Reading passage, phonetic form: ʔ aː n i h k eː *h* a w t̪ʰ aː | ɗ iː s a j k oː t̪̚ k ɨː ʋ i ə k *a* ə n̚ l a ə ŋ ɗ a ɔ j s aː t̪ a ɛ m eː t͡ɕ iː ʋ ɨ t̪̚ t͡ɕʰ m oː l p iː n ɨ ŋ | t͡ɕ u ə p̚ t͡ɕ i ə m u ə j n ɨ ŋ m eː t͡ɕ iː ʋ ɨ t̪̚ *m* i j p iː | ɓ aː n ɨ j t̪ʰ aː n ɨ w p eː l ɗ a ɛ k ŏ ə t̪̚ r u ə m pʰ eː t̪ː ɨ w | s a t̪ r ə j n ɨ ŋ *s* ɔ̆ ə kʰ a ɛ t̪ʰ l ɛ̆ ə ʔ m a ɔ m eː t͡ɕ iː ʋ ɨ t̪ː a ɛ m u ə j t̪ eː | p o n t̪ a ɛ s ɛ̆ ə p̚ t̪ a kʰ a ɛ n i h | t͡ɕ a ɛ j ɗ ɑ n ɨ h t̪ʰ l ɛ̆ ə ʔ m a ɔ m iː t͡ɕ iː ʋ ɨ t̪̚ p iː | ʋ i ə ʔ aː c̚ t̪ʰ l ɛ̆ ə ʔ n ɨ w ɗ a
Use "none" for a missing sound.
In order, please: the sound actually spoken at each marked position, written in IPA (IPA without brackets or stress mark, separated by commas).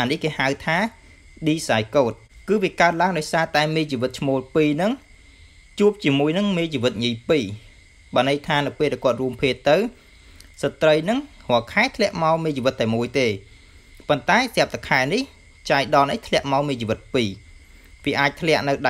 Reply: h, a, ɲ, h